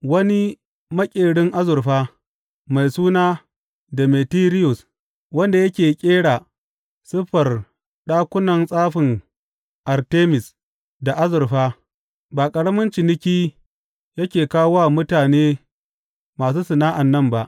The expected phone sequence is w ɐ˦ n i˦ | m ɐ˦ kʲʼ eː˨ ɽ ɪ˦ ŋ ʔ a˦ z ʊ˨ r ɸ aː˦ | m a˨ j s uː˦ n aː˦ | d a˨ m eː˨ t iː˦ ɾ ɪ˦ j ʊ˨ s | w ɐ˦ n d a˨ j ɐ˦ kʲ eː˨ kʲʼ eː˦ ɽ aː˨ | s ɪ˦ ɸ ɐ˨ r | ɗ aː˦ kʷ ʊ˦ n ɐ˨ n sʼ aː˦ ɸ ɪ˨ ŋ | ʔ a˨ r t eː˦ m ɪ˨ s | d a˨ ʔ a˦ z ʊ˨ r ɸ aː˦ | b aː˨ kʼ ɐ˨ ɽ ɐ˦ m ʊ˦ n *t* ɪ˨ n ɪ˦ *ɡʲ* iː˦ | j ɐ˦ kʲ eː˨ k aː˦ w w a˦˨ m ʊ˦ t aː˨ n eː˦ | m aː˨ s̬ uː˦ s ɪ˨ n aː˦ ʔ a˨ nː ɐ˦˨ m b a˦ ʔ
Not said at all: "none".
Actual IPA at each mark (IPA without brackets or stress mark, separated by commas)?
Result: t͡ʃ, kʲ